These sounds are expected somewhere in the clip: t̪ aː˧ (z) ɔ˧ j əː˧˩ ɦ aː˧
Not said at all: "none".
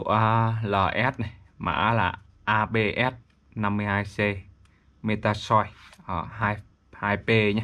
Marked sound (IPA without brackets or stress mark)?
s